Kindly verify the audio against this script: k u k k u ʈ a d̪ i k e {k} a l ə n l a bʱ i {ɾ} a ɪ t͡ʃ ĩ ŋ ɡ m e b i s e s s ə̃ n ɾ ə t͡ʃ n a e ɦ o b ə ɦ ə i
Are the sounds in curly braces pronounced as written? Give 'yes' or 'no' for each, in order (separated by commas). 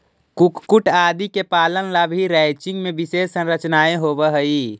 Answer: no, yes